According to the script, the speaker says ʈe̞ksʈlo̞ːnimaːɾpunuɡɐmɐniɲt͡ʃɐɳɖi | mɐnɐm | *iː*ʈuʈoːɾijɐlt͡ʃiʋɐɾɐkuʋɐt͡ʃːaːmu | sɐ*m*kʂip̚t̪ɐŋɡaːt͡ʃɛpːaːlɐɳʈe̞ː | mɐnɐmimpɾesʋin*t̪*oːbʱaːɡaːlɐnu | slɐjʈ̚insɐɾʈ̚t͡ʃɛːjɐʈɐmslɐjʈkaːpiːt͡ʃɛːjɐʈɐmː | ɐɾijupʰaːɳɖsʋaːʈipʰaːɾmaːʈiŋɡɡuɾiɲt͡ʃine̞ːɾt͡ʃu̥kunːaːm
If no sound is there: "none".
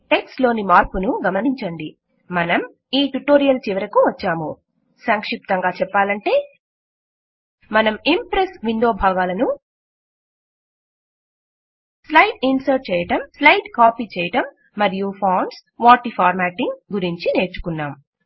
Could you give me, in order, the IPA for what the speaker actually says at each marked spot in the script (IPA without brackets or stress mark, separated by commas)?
iː, ŋ, d̪